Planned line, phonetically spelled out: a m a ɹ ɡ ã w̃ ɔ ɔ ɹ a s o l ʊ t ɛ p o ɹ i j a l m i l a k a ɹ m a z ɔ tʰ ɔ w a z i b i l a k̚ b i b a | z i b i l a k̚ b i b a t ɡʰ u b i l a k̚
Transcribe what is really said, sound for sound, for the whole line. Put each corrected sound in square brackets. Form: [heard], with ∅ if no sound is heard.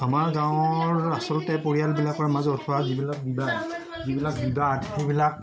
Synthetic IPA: a m a ɹ ɡ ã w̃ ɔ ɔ ɹ a s [ɔ] l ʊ t ɛ p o ɹ i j a l [b] i l a k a ɹ m a z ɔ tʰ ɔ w a z i b i l a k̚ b i b a | z i b i l a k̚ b i b a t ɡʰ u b i l a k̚